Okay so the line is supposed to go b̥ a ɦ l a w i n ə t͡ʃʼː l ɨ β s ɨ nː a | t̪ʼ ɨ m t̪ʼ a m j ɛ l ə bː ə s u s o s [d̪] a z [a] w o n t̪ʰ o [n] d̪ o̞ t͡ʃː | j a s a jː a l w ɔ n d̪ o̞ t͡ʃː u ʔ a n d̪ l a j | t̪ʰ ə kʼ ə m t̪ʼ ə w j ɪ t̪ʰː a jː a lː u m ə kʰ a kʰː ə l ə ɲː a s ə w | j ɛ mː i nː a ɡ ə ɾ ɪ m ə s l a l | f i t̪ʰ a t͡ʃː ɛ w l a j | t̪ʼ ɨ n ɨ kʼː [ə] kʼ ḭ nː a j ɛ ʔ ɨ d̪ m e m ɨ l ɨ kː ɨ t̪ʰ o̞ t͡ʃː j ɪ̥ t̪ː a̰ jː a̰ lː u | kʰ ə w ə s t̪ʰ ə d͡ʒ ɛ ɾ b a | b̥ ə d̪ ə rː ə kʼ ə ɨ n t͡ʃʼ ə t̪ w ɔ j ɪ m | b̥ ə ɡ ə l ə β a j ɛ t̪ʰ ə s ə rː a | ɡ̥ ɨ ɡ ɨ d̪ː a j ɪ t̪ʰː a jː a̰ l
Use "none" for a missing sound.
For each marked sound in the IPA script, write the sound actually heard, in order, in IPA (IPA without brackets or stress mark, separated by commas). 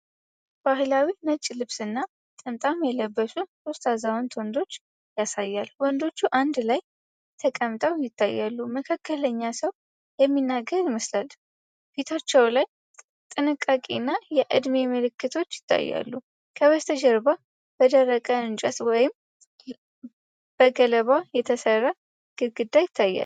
t̪, a, n, a